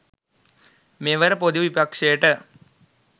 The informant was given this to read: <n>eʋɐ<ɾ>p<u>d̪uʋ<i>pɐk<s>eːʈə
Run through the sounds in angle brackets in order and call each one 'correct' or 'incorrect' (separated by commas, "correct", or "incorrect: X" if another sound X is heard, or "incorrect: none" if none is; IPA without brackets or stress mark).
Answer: incorrect: m, correct, incorrect: o, correct, incorrect: ʂ